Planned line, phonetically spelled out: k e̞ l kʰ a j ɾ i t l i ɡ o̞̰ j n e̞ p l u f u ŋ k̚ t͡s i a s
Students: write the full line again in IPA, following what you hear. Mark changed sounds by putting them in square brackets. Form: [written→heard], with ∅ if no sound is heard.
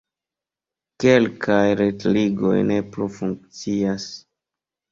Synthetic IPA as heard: k e̞ l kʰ a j ɾ [i→e] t l i ɡ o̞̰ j n e̞ p l u f u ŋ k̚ t͡s i a s